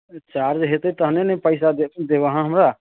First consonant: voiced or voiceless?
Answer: voiceless